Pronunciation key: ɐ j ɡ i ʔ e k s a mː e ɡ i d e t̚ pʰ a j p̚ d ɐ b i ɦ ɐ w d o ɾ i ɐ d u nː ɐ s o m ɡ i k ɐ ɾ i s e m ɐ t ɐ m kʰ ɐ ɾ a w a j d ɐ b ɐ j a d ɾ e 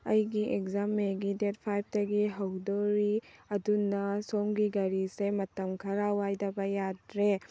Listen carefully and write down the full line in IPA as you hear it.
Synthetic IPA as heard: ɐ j ɡ i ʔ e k z a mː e ɡ i d e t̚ pʰ a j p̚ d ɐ ɡ i ɦ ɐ w d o ɾ i ɐ d u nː ɐ s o m ɡ i ɡ ɐ ɾ i s e m ɐ t ɐ m kʰ ɐ ɾ a w a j d ɐ b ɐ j a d ɾ e